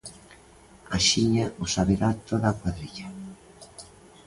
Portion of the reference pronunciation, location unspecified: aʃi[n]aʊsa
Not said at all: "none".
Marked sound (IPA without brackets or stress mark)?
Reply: ɲ